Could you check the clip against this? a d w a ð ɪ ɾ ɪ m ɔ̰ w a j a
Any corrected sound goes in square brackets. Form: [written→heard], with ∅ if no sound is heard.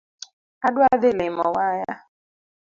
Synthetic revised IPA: a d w a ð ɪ [ɾ→l] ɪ m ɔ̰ w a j a